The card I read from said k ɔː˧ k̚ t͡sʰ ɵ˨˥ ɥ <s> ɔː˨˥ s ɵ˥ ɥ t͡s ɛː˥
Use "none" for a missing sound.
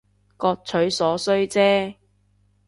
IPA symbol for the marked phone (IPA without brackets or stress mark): s